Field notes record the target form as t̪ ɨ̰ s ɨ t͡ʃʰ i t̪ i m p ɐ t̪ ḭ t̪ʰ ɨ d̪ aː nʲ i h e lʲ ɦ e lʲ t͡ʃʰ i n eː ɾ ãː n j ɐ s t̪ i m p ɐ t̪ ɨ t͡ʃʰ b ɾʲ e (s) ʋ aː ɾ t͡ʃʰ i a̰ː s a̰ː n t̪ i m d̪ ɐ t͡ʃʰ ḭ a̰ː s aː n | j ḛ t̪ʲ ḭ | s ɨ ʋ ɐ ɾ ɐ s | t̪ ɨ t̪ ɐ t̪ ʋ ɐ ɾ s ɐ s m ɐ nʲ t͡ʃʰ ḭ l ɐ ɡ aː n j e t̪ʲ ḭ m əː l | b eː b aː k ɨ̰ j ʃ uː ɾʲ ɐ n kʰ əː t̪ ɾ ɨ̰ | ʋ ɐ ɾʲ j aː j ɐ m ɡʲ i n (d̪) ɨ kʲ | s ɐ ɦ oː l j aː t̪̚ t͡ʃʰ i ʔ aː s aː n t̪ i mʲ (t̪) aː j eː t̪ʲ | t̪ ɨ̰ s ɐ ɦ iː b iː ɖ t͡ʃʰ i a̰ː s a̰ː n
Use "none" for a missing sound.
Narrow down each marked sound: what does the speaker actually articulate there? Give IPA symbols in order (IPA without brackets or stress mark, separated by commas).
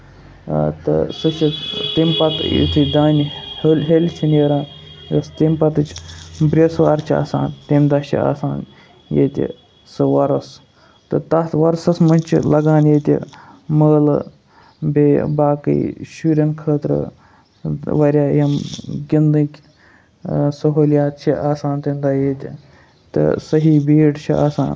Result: s, d̪, d̪